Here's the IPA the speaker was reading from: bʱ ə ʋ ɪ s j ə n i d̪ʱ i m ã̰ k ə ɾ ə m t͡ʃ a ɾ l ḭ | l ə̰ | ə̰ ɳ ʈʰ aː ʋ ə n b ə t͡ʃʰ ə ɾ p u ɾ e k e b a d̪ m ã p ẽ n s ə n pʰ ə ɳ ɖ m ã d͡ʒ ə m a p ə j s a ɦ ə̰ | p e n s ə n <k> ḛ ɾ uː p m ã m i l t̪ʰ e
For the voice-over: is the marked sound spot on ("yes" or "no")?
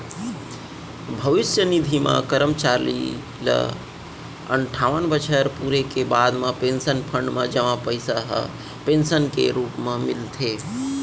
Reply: yes